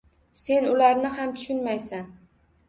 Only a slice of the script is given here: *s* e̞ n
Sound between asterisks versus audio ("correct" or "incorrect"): correct